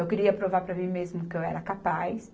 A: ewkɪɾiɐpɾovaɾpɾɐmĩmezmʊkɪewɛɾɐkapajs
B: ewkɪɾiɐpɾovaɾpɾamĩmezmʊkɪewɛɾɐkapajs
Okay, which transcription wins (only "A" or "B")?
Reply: A